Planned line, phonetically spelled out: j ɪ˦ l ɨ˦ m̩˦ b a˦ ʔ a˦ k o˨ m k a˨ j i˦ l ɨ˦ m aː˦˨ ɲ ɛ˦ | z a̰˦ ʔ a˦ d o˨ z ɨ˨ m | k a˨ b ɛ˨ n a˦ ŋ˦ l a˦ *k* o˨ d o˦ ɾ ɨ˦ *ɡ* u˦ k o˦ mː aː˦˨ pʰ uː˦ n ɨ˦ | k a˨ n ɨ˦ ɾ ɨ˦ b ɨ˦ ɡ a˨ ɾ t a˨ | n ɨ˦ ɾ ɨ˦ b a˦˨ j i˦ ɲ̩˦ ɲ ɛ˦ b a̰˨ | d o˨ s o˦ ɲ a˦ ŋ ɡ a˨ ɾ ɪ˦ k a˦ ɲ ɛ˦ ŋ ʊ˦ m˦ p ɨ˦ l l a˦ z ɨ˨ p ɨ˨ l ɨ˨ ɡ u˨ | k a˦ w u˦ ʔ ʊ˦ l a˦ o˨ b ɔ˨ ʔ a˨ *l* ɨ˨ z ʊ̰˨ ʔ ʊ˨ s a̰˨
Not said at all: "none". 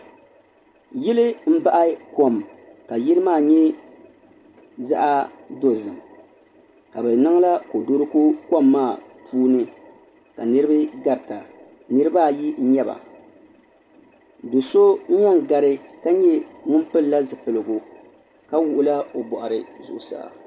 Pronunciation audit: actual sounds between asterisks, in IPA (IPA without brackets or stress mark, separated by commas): k, k, ɾ